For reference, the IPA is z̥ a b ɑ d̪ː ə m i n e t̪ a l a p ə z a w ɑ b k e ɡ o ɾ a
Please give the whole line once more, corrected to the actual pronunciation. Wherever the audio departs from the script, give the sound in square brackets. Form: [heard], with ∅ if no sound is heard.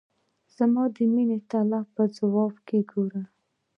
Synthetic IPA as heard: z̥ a [m] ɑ [d̪] ə m i n e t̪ a l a p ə z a w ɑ b k e ɡ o ɾ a